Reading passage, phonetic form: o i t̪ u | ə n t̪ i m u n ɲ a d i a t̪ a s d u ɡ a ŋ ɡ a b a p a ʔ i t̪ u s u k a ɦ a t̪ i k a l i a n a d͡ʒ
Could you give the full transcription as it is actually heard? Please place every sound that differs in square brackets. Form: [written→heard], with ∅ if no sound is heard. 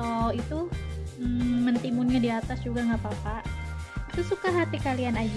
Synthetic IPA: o i t̪ u | ə n t̪ i m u n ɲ a d i a t̪ a s [d→d͡ʒ] u ɡ a ŋ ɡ a [b→p] a p a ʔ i t̪ u s u k a ɦ a t̪ i k a l i a n a d͡ʒ